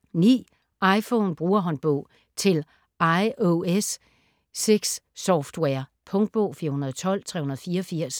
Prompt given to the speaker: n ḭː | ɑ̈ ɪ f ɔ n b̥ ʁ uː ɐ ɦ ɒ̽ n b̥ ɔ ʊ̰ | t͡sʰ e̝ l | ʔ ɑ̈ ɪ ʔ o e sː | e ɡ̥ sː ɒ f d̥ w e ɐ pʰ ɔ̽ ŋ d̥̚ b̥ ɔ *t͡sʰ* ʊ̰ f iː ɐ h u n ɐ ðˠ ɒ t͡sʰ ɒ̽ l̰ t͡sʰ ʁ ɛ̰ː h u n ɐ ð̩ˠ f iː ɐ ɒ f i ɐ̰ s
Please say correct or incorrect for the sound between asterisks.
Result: incorrect